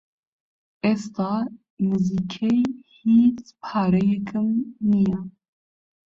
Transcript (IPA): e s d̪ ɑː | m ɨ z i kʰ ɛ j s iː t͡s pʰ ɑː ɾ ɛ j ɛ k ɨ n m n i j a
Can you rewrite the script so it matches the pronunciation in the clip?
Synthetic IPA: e s t̪ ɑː | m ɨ z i kʰ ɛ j h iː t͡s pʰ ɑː ɾ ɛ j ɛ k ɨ m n i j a